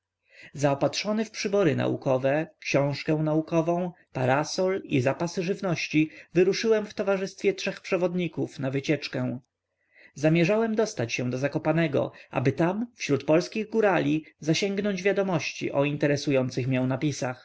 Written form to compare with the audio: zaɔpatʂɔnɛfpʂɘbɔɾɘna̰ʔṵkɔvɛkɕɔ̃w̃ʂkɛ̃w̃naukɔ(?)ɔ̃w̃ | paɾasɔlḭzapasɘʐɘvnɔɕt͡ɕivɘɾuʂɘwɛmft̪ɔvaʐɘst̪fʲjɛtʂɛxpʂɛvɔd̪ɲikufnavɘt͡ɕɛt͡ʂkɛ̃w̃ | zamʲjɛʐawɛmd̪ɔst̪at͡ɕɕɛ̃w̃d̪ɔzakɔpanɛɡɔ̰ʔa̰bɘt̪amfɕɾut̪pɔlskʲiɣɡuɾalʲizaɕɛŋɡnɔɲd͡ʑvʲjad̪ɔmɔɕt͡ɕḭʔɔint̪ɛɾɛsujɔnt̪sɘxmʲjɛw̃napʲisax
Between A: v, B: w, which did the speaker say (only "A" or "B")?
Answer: A